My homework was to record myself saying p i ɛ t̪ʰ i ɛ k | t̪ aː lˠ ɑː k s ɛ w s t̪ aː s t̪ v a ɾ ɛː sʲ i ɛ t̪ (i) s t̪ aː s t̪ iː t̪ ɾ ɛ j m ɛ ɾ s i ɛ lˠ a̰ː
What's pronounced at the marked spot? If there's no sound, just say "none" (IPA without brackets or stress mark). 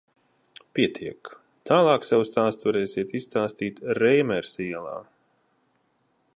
i